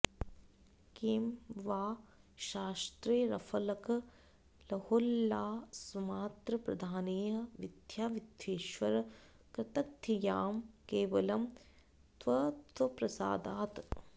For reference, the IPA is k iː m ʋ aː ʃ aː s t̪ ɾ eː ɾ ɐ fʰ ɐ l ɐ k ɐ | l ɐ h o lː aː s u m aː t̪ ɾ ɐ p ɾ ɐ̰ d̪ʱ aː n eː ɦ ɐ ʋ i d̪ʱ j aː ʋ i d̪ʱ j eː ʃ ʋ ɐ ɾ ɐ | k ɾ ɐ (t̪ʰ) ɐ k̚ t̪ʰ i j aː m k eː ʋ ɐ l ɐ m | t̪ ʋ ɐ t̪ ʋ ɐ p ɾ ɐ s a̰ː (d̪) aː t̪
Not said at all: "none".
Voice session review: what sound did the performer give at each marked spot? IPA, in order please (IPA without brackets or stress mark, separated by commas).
t̪, d̪